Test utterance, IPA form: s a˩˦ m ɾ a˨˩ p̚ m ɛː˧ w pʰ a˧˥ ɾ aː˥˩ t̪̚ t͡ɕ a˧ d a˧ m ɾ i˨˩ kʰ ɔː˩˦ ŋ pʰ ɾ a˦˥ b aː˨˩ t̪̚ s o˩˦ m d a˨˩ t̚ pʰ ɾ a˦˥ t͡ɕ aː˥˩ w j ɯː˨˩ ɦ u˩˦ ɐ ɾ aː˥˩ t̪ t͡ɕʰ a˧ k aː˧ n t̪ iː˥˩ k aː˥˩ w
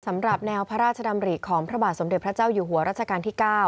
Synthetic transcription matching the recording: s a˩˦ m ɾ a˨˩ p̚ n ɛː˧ w pʰ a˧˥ ɾ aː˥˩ t̪̚ t͡ɕʰ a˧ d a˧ m ɾ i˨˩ kʰ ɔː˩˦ ŋ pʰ ɾ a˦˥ b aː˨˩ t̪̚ s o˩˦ m d e˨˩ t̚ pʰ ɾ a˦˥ t͡ɕ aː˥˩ w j uː˨˩ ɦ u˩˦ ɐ ɾ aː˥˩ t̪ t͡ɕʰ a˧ k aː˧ n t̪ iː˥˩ k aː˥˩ w